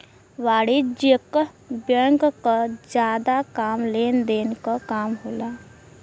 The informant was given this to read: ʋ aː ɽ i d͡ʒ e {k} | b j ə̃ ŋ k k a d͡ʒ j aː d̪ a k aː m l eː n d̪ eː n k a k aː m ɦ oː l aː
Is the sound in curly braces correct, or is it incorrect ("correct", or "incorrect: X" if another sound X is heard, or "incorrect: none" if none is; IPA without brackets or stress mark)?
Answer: correct